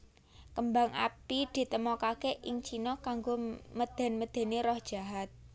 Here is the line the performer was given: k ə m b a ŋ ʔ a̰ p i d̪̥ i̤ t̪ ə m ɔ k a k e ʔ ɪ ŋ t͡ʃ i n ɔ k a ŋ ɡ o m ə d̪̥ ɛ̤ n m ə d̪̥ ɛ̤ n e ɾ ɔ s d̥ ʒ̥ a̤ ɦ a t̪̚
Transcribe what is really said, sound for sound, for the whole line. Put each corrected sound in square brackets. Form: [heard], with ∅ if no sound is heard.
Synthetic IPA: k ə m b a ŋ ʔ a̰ p i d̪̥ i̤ t̪ ə m ɔ k a k e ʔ ɪ ŋ t͡ʃ i n ɔ k a ŋ ɡ o m ə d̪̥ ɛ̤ n m ə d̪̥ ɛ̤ n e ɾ ɔ [h] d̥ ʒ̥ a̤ ɦ a t̪̚